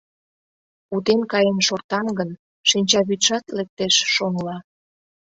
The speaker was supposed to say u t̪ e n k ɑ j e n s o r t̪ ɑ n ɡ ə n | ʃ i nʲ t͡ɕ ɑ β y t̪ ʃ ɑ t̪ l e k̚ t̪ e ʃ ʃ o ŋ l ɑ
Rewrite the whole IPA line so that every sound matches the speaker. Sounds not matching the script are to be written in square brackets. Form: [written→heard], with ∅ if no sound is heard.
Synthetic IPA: u t̪ e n k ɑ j e n [s→ʃ] o r t̪ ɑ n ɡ ə n | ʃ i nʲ t͡ɕ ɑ β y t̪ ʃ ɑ t̪ l e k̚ t̪ e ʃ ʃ o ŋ l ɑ